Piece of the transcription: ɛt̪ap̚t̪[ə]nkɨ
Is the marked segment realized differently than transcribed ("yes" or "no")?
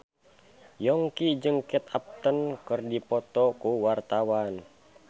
no